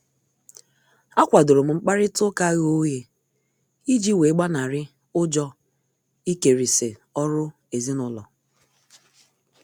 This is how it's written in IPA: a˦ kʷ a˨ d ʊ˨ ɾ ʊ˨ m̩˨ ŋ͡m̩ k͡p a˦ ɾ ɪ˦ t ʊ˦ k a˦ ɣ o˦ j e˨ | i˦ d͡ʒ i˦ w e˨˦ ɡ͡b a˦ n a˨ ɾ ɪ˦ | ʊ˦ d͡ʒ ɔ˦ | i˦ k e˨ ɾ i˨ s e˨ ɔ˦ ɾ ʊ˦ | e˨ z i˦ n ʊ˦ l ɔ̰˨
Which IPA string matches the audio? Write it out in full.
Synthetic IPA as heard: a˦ kʷ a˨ d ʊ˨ ɾ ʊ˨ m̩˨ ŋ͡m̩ k͡p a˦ ɾ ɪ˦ t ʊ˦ k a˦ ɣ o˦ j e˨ | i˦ d͡ʒ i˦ w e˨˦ ɡ͡b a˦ n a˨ ɾ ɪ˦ | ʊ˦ d͡ʒ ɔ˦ | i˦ k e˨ ɾ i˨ s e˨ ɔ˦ ɾ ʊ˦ | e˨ z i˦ n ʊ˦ l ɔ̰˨